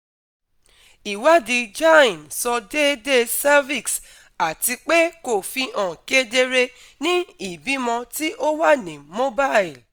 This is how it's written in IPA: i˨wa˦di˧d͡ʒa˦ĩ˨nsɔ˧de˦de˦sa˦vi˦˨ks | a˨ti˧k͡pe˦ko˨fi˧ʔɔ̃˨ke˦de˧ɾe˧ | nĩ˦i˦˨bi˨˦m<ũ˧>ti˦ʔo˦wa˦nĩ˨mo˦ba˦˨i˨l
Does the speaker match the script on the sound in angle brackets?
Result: no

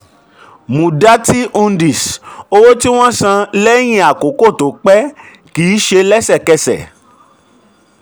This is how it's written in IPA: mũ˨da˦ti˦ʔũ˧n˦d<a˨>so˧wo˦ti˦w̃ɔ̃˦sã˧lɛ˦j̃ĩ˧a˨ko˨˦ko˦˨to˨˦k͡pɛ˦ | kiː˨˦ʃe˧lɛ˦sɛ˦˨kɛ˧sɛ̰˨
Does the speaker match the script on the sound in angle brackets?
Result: no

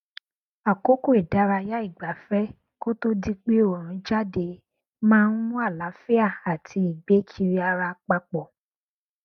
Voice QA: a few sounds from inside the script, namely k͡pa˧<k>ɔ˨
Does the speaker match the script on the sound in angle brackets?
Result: no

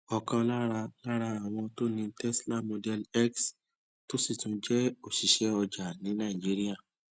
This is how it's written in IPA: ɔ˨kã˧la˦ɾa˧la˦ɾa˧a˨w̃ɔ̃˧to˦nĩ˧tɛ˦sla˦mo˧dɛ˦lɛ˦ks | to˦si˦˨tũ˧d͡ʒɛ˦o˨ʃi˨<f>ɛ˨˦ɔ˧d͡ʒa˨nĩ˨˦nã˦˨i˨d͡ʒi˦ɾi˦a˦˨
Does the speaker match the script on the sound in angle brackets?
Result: no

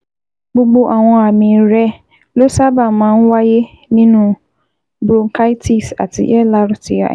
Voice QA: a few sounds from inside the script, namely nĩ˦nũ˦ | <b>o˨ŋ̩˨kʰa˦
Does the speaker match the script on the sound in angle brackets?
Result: yes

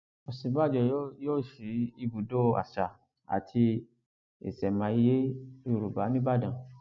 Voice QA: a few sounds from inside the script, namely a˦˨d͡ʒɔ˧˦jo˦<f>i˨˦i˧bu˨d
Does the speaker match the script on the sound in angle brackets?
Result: no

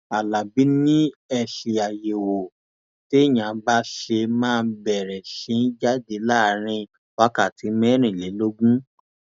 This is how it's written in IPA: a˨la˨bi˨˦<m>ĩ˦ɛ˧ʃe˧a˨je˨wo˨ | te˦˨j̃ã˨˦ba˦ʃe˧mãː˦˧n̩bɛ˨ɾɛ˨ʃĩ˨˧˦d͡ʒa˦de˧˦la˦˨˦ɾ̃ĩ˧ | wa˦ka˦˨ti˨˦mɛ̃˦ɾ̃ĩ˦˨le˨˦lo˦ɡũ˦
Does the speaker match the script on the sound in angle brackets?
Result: no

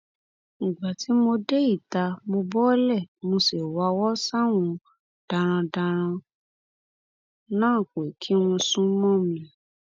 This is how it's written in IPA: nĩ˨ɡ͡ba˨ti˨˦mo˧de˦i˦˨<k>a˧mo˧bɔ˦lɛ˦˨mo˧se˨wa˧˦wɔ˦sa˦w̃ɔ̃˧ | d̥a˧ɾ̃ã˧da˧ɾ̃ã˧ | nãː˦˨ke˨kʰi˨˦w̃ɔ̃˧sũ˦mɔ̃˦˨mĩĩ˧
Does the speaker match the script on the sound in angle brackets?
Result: no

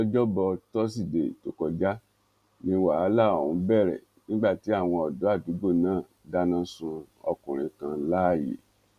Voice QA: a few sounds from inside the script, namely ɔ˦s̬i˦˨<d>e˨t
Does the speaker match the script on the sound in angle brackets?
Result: yes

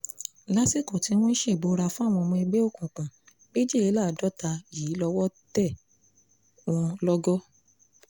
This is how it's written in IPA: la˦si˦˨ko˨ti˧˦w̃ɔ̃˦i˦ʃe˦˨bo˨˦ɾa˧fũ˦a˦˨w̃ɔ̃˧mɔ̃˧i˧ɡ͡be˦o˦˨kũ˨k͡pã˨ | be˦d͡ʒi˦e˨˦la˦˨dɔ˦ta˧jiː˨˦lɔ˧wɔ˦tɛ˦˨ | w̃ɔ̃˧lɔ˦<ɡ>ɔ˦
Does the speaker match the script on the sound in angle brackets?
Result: yes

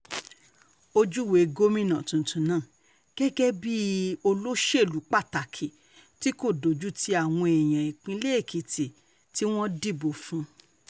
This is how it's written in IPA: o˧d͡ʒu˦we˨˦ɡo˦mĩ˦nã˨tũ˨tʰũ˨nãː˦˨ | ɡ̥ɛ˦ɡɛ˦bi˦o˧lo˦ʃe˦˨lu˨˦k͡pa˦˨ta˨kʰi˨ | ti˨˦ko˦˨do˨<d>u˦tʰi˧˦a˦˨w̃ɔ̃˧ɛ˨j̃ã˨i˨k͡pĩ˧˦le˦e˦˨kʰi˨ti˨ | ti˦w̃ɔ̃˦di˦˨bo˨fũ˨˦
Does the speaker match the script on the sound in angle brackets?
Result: no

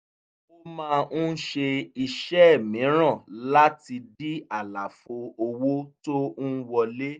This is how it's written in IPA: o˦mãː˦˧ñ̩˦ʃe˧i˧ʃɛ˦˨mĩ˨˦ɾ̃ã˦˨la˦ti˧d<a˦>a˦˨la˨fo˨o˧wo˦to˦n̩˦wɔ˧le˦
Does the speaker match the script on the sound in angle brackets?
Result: no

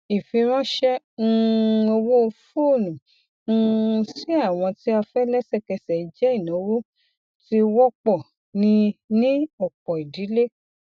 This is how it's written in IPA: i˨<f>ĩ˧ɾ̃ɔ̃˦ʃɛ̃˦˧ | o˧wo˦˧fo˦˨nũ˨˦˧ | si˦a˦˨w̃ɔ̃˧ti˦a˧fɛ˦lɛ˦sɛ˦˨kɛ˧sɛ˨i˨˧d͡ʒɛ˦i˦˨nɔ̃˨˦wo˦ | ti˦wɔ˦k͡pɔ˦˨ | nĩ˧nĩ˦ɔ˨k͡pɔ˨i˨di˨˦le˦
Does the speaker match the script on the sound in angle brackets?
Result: yes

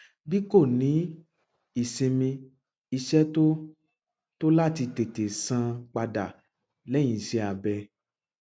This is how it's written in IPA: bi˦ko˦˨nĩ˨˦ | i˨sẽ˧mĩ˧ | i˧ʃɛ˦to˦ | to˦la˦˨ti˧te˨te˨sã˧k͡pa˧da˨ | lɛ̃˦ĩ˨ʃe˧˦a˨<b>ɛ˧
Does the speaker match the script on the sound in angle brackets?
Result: yes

